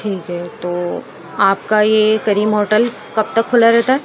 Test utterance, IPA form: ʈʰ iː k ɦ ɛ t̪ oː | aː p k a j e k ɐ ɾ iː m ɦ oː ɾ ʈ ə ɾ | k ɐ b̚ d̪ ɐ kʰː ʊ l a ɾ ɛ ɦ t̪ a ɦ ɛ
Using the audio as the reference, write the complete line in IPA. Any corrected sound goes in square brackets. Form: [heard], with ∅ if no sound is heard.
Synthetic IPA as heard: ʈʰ iː k ɦ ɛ t̪ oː | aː p k a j e k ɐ ɾ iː m ɦ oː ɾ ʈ ə [l] | k ɐ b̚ [t̪] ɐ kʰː ʊ l a ɾ ɛ ɦ t̪ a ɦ ɛ